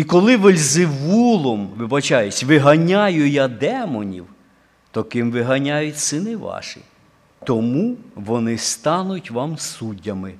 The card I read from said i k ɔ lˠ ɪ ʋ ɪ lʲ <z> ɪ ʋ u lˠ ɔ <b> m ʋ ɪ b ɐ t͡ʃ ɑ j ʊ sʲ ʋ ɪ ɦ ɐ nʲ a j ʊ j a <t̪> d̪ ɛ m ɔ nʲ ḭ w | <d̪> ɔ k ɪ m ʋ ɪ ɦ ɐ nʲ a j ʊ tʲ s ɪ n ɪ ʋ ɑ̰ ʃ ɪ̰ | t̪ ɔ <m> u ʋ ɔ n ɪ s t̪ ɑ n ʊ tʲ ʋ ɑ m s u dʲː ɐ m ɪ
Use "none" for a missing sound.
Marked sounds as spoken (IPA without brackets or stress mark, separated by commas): z, none, none, t̪, m